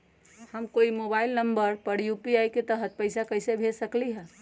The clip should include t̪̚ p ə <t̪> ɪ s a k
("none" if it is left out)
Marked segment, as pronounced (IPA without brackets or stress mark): none